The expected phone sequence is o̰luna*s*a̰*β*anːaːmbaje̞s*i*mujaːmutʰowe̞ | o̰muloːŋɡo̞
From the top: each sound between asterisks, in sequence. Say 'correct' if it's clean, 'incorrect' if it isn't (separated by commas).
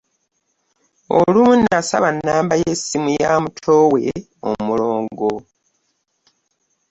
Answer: correct, correct, correct